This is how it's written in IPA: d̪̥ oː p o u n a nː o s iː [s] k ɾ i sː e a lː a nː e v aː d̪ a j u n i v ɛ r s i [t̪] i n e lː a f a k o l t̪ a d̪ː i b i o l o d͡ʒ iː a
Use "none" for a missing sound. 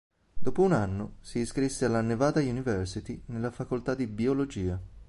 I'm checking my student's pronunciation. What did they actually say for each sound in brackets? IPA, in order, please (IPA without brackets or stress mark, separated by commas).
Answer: s, t̪